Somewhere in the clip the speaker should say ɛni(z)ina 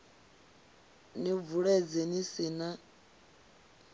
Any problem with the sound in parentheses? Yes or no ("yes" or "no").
yes